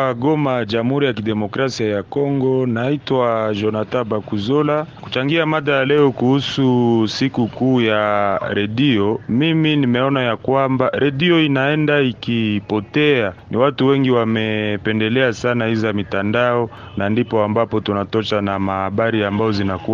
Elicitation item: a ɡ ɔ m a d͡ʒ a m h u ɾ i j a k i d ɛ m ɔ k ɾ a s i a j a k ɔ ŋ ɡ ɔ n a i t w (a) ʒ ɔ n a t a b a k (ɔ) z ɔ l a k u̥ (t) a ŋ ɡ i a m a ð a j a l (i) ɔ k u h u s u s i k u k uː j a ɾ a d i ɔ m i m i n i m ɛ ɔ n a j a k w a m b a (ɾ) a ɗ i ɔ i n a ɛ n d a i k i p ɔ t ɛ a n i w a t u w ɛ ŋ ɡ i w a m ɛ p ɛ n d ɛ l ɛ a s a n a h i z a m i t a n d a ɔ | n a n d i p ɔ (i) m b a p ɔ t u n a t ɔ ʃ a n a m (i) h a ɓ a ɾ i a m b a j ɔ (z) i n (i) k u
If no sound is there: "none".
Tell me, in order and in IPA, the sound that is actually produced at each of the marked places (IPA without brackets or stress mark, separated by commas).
a, u, t͡ʃ, ɛ, ɾ, a, a, z, a